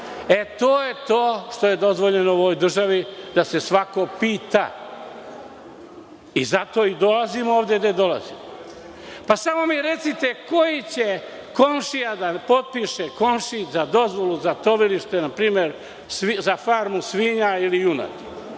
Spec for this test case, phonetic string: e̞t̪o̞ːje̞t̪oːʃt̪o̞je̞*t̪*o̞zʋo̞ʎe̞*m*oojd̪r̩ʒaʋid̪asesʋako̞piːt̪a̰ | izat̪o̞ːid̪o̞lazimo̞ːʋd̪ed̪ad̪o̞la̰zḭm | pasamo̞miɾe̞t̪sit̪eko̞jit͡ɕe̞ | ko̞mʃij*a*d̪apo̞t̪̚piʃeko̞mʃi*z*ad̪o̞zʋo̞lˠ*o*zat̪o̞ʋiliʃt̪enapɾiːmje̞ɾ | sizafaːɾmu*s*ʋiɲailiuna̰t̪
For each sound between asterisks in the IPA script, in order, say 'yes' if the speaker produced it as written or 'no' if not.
no, no, yes, yes, no, yes

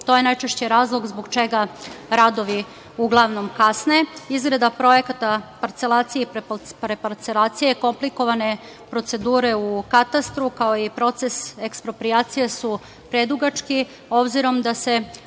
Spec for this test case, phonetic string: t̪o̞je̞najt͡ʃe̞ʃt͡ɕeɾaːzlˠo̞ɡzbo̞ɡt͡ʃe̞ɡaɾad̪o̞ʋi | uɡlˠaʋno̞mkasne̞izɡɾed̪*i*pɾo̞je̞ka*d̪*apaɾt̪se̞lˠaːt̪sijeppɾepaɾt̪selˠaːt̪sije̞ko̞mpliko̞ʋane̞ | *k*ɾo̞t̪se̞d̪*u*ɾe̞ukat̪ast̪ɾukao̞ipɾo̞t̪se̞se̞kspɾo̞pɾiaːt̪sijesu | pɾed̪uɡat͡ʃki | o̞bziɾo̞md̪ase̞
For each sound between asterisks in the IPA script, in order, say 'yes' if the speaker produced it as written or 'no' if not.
no, no, no, no

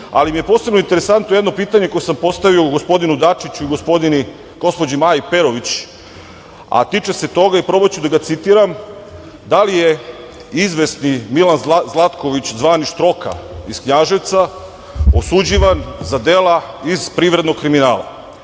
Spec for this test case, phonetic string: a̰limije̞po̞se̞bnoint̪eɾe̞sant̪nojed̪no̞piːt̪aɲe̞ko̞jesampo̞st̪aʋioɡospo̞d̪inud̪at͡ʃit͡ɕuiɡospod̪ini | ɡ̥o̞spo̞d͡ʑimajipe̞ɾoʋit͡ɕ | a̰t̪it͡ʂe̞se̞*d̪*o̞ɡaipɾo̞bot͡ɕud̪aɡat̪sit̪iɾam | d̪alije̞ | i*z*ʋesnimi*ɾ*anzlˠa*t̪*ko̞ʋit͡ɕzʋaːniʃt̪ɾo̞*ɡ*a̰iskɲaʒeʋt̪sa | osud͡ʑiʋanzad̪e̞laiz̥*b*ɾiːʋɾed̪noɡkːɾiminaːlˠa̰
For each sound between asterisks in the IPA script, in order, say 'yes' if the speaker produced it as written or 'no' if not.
no, yes, no, yes, no, no

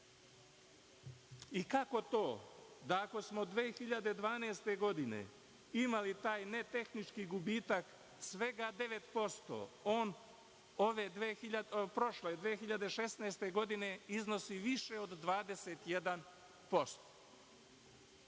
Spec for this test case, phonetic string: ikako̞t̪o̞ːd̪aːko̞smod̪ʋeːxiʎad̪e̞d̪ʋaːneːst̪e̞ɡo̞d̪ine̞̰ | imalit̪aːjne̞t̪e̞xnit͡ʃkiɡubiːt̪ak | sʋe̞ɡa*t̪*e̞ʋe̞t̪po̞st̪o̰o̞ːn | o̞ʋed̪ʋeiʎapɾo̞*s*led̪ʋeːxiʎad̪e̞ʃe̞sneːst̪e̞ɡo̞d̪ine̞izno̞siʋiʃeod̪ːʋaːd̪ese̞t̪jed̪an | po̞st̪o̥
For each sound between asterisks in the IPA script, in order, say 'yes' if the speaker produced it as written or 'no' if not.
no, no

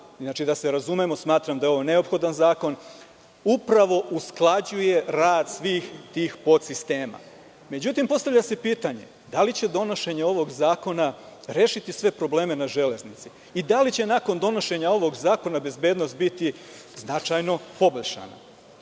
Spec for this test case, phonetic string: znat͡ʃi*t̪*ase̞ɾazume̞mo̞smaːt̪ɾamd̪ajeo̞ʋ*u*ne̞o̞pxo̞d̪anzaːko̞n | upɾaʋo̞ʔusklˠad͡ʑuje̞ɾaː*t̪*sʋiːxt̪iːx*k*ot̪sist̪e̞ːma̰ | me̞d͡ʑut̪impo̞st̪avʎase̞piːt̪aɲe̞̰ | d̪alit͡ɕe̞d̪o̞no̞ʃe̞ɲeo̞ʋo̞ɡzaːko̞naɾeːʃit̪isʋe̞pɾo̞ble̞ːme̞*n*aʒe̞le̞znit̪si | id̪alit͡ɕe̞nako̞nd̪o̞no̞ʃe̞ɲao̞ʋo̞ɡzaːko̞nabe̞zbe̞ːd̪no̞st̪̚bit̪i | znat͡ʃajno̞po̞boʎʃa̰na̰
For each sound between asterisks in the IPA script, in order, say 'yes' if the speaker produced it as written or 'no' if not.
no, no, no, no, yes

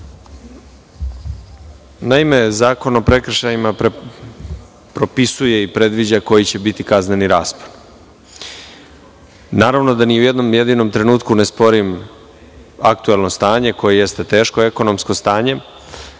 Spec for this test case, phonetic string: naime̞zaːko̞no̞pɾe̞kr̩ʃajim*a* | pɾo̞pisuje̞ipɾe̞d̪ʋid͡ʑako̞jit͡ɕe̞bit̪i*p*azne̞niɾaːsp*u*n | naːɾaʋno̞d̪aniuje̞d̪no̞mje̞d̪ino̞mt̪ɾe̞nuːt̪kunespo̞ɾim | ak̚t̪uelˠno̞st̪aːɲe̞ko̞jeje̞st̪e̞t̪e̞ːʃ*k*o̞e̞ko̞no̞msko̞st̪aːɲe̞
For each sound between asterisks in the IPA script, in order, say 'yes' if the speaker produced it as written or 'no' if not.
yes, no, no, yes

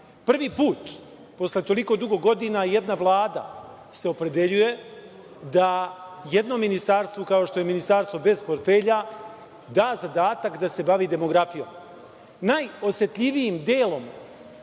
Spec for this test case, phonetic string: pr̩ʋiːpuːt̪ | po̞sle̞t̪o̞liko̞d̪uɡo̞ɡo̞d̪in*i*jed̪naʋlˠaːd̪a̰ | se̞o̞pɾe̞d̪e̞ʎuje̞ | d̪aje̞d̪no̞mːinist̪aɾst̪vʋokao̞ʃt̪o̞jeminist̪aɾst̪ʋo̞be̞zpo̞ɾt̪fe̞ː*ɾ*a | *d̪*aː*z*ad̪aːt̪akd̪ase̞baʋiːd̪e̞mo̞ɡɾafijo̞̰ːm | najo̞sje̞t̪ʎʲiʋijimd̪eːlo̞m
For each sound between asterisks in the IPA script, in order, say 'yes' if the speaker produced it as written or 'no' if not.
no, no, yes, yes

